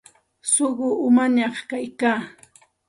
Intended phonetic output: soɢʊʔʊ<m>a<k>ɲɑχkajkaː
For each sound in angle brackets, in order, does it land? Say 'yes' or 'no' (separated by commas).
yes, no